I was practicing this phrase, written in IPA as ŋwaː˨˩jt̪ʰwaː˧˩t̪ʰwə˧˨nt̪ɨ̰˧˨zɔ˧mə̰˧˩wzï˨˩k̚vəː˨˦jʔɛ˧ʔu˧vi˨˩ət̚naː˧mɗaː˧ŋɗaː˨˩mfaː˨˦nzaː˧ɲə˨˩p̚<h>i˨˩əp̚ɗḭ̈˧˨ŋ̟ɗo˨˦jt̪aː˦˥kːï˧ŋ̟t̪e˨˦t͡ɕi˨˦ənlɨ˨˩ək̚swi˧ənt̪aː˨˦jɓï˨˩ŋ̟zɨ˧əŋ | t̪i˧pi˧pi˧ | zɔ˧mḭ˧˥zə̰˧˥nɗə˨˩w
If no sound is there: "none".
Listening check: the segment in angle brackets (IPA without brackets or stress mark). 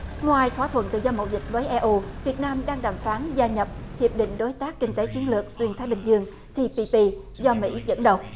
h